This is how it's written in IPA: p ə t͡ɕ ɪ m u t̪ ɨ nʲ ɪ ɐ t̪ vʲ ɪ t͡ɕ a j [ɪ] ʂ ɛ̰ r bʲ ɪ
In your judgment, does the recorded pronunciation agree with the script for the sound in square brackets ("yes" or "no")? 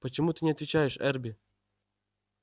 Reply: yes